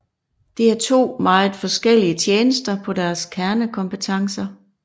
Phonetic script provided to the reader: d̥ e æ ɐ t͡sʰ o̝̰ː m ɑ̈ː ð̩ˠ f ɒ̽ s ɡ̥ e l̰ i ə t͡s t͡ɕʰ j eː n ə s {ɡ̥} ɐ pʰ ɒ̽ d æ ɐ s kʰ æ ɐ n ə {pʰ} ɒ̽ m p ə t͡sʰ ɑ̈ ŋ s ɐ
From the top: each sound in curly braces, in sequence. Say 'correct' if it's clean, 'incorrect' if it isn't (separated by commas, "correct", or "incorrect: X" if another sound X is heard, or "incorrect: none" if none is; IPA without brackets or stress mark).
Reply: incorrect: d̥, incorrect: kʰ